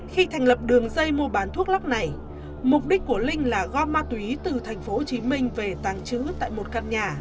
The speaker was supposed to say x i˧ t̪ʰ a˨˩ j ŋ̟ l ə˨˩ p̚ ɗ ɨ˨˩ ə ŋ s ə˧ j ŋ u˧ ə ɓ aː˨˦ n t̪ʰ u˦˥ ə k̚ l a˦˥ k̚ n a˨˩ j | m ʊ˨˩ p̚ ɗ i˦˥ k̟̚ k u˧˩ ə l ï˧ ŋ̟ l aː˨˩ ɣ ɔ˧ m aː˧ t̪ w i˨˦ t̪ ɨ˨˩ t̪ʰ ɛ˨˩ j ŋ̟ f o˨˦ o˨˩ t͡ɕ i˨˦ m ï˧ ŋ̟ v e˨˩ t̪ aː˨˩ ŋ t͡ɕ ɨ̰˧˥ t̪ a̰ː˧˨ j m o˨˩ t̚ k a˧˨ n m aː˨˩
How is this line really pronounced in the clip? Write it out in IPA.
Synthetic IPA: x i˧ t̪ʰ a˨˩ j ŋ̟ l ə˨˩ p̚ ɗ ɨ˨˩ ə ŋ z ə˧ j m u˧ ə ɓ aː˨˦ n t̪ʰ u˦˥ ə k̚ l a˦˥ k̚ n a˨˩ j | m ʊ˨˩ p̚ ɗ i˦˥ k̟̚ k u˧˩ ə l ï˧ ŋ̟ l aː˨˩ ɣ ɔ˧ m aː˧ t̪ w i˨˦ t̪ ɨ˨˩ t̪ʰ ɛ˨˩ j ŋ̟ f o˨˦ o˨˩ t͡ɕ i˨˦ m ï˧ ŋ̟ v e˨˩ t̪ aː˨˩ ŋ t͡ɕ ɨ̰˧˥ t̪ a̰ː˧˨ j m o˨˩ t̚ k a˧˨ n ɲ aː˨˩